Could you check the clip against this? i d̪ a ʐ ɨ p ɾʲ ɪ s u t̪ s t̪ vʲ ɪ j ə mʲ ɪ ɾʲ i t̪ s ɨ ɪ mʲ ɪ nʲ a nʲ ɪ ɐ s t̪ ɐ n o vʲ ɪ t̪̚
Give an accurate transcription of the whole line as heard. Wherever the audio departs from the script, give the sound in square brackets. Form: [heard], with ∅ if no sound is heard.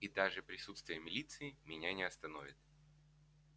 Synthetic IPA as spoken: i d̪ a ʐ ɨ p ɾʲ ɪ s u t̪ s t̪ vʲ ɪ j ə mʲ ɪ [lʲ] i t̪ s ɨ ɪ mʲ ɪ nʲ a nʲ ɪ ɐ s t̪ ɐ n o vʲ ɪ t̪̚